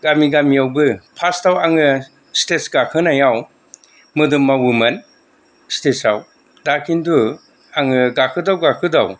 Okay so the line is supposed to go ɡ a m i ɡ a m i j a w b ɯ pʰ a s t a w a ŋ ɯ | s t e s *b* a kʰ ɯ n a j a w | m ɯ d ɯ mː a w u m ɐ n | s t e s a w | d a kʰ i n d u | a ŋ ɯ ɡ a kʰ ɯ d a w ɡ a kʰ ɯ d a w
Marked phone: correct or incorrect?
incorrect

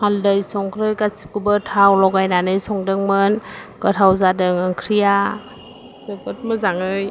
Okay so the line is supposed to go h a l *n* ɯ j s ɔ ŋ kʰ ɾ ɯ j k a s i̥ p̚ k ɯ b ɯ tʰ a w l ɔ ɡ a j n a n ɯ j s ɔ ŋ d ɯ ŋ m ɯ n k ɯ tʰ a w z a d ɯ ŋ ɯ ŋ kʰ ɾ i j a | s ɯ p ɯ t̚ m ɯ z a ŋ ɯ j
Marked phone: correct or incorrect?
incorrect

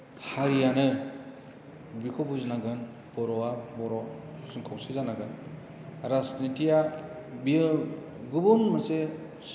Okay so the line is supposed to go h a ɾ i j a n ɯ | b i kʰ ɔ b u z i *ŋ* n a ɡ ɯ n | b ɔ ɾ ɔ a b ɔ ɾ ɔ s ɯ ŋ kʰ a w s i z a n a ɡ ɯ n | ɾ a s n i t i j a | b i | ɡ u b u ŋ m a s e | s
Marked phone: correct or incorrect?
incorrect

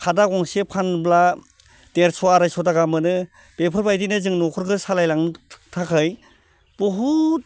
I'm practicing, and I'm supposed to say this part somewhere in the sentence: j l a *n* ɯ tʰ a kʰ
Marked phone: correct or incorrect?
incorrect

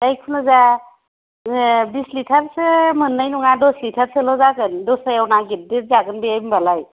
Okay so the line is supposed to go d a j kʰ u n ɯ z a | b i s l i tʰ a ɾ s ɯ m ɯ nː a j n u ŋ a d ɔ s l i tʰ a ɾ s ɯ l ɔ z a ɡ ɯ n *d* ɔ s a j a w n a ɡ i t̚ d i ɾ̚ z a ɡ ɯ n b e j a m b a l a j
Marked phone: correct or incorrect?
correct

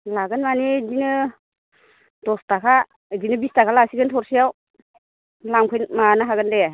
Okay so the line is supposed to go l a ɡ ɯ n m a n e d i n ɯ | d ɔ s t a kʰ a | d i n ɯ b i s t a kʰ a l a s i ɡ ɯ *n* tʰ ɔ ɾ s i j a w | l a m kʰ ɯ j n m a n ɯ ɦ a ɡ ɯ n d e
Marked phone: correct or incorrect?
correct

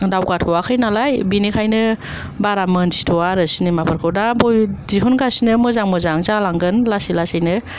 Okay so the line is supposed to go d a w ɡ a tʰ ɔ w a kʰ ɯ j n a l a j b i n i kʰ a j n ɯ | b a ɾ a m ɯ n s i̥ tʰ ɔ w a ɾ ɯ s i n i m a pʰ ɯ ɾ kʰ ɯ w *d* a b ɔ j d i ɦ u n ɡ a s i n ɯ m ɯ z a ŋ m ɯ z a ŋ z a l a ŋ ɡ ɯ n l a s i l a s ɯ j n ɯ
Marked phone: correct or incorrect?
correct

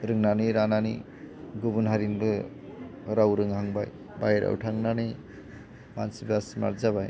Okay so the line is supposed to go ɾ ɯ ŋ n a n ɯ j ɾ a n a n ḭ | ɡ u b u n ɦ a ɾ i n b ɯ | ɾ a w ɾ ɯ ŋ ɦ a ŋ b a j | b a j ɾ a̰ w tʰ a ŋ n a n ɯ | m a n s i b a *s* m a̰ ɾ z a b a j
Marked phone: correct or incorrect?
correct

